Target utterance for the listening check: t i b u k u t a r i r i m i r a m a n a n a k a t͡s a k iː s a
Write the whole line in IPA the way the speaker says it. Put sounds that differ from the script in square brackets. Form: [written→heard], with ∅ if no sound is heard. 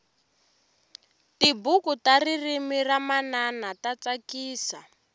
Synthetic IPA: t i b u k u t a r i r i m i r a m a n a n a [k→t] a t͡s a k iː s a